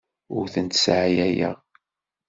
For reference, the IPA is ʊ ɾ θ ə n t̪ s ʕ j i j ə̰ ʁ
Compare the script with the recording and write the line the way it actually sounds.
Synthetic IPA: ʊ ɾ θ ə n t̪ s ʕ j æ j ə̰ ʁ